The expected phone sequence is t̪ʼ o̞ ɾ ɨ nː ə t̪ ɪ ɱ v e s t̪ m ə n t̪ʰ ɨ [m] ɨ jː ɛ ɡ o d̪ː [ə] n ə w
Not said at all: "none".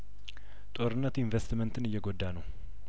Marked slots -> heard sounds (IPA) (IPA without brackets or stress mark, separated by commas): n, a